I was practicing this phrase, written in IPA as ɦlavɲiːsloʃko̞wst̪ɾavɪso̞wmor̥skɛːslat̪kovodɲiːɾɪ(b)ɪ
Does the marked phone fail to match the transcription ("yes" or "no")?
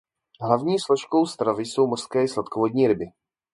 no